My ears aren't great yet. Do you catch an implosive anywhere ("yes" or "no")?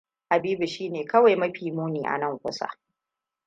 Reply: no